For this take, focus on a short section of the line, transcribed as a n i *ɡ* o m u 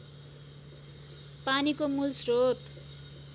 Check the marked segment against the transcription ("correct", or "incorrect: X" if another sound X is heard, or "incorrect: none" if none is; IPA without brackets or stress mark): incorrect: k